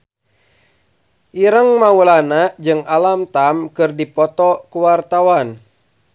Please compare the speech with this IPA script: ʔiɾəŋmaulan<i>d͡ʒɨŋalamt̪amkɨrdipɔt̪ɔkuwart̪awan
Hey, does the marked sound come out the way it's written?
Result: no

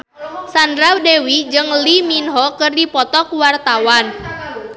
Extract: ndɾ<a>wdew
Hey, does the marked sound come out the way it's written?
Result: yes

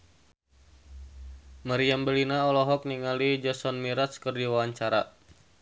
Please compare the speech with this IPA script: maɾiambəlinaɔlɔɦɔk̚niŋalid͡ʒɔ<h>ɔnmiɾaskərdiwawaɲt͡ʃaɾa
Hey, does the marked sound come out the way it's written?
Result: no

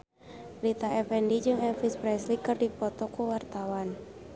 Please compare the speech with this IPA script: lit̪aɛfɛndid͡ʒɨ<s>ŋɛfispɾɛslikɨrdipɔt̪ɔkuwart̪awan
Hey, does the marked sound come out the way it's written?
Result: no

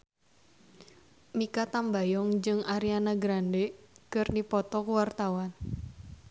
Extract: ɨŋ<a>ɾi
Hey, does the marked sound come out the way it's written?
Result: yes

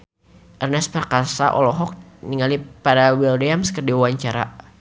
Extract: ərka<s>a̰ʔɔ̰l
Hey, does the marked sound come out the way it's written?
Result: yes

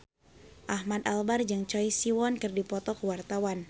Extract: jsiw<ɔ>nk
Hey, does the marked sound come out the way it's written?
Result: yes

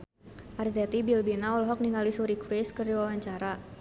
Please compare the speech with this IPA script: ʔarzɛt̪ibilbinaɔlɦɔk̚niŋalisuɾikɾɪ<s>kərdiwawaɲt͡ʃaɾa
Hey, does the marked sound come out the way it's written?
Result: yes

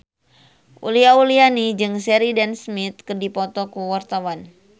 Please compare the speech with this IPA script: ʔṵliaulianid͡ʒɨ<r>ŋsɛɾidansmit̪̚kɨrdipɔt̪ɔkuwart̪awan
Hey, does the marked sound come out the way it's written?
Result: no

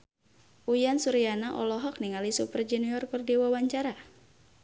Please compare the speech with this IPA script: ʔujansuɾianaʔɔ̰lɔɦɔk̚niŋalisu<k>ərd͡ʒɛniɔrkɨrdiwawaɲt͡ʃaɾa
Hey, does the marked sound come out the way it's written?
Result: no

